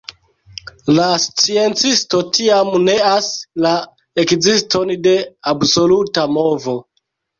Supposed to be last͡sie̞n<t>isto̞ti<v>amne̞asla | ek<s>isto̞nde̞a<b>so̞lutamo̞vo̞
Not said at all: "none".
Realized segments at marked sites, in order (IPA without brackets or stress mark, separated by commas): t͡s, none, z, b